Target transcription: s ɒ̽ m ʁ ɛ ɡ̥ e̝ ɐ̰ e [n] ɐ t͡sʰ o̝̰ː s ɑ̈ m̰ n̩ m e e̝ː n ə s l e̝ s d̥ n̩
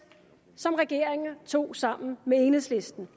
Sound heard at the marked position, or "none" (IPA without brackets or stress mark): ŋ